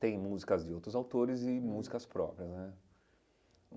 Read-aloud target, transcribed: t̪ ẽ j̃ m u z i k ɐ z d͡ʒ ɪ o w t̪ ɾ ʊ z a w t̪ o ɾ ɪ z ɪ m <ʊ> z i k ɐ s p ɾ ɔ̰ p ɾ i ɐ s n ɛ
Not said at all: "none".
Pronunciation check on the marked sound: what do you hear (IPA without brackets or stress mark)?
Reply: u